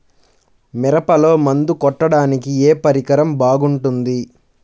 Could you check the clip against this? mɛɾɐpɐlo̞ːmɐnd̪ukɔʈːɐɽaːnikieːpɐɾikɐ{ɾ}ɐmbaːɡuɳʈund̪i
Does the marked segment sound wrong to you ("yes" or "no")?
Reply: no